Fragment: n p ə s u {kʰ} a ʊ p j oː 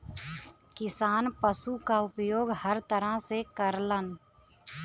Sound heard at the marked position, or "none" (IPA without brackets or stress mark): k